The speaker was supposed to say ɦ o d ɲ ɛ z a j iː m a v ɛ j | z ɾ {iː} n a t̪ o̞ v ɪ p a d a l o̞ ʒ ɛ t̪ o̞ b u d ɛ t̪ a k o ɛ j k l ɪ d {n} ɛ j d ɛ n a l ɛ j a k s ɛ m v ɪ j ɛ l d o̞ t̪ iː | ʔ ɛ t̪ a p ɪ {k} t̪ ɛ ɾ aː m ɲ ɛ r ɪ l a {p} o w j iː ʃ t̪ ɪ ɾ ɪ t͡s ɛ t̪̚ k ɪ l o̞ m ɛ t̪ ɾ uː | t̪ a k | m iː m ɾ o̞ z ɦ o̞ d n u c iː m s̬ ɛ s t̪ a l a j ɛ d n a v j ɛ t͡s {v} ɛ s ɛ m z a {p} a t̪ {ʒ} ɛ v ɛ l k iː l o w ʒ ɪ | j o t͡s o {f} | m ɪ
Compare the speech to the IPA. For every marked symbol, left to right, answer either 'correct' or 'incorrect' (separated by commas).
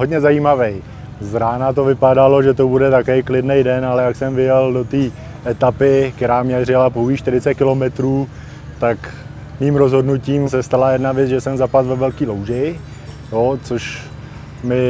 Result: incorrect, correct, correct, correct, incorrect, correct, incorrect, incorrect